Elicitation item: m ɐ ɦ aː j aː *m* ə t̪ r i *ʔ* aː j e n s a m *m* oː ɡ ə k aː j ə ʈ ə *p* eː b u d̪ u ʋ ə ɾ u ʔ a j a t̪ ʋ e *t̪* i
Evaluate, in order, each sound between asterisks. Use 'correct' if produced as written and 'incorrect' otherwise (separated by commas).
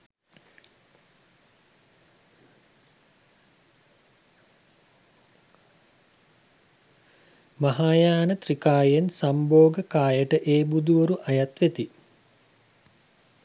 incorrect, incorrect, incorrect, incorrect, correct